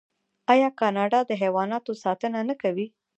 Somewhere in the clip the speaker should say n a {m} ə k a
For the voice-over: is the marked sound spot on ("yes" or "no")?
no